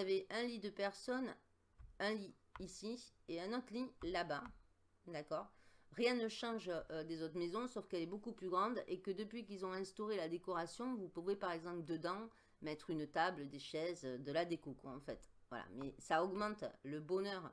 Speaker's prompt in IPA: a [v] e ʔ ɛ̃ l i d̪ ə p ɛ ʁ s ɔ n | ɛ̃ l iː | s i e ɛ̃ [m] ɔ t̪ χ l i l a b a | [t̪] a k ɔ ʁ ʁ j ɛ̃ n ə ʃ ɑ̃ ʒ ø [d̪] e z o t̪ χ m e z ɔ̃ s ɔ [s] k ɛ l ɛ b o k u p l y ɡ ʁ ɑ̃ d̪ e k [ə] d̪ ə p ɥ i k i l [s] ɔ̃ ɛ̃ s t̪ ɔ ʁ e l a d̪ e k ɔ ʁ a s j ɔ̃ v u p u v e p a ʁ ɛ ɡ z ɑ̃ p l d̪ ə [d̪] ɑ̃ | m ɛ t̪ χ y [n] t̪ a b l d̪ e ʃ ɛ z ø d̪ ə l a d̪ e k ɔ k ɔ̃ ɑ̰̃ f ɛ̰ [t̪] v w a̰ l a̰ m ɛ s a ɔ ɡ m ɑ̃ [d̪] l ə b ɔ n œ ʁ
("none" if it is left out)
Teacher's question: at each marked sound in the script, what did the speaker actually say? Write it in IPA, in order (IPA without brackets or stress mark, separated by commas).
v, n, d̪, d̪, f, ə, z, d̪, n, t̪, t̪